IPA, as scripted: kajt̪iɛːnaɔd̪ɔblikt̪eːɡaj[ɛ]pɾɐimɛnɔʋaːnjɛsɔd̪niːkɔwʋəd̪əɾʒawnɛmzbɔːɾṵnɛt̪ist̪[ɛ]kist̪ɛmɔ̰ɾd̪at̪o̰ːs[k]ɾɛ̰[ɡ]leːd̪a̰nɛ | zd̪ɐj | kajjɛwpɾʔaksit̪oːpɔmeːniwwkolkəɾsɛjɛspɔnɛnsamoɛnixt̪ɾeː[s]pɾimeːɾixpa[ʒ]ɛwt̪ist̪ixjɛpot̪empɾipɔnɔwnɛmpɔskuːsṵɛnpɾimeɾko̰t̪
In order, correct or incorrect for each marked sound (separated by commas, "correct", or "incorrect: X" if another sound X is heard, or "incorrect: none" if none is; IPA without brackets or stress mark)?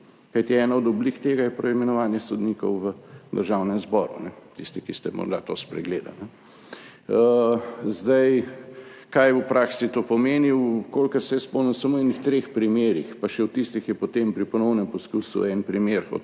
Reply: correct, incorrect: i, incorrect: p, correct, incorrect: x, incorrect: ʃ